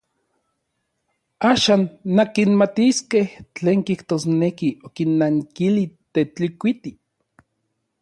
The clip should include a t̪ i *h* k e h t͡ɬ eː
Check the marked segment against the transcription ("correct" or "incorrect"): incorrect